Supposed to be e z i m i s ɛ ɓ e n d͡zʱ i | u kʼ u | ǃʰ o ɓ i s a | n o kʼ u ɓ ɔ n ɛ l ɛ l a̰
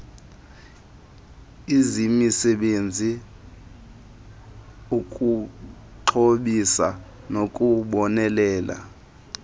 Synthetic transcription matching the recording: i z i m i s ɛ ɓ e n d͡zʱ i | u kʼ u | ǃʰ o ɓ i s a | n o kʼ u ɓ ɔ n ɛ l ɛː l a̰